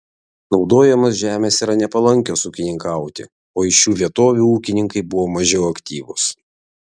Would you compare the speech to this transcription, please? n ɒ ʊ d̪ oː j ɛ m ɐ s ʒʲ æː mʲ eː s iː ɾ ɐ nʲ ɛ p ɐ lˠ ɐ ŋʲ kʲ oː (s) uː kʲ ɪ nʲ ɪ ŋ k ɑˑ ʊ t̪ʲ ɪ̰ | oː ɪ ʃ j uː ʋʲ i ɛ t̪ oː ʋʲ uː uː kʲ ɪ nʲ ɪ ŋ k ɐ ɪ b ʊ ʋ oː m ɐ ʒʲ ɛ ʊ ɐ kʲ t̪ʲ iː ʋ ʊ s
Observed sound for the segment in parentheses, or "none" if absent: s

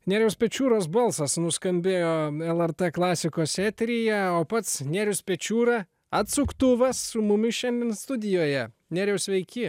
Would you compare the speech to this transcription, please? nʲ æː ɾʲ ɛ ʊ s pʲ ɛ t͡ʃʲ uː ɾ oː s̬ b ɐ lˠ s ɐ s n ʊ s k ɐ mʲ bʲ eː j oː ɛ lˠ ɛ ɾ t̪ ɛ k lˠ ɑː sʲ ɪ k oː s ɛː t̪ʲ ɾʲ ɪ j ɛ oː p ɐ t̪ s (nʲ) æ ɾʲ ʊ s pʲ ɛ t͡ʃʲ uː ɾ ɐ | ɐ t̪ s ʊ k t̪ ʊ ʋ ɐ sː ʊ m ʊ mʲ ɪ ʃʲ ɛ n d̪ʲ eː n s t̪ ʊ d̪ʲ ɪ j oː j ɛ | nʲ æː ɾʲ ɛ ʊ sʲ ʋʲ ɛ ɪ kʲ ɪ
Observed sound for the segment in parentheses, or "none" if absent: nʲ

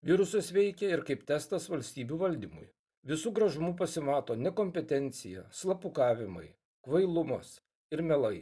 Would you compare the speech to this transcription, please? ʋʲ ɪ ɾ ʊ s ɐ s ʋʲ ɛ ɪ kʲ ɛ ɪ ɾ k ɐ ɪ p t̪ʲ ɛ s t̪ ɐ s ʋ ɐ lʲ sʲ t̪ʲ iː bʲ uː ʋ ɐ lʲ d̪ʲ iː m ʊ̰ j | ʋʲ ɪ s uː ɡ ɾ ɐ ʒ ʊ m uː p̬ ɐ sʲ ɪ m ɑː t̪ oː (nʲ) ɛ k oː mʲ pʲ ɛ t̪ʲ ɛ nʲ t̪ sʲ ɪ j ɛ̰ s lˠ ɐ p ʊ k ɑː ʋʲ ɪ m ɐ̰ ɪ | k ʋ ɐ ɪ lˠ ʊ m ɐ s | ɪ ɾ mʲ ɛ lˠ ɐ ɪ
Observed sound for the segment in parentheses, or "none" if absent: nʲ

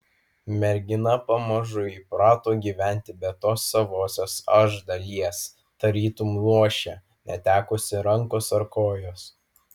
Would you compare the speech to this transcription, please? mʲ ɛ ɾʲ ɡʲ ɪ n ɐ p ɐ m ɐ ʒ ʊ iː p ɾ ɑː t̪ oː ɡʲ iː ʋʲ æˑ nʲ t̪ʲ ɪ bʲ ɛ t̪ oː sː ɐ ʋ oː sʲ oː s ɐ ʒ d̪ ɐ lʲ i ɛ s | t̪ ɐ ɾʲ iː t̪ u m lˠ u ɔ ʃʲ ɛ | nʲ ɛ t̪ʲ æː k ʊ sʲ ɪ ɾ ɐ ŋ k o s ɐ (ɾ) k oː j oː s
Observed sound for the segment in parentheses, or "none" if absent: ɾ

